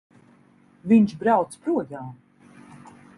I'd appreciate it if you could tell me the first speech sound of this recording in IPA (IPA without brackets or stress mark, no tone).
v